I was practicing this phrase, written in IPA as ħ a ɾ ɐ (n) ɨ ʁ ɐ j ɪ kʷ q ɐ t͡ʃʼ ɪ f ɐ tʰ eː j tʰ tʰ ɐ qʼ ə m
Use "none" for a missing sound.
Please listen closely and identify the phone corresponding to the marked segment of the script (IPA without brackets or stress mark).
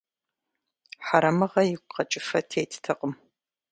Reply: m